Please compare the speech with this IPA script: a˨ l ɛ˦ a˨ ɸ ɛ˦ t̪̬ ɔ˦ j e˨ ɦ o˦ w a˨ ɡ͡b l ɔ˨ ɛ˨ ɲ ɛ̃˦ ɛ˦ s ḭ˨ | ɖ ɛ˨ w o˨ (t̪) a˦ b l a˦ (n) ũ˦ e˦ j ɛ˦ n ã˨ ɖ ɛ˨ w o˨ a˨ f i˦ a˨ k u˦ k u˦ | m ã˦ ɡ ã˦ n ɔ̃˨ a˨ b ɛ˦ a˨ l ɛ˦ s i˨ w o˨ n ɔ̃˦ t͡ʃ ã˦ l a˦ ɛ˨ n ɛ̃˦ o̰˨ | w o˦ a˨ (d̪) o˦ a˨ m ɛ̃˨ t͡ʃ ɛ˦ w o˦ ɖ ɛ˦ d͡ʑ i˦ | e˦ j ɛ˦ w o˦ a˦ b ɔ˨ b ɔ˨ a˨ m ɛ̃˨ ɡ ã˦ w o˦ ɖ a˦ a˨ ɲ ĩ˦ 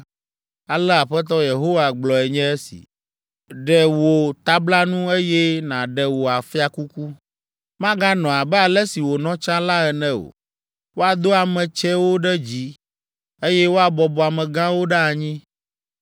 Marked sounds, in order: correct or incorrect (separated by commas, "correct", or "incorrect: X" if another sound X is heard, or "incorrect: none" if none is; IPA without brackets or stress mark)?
correct, correct, correct